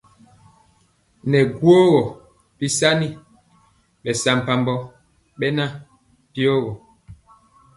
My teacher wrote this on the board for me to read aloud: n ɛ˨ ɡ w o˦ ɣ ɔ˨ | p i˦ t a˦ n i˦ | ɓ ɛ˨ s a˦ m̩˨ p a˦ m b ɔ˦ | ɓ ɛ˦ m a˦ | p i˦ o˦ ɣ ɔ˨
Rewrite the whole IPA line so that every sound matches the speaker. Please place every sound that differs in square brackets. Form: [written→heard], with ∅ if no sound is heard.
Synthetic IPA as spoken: n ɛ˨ ɡ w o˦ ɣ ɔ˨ | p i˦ [t→s] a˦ n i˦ | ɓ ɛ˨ s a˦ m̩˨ p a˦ m b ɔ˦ | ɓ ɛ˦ [m→n] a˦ | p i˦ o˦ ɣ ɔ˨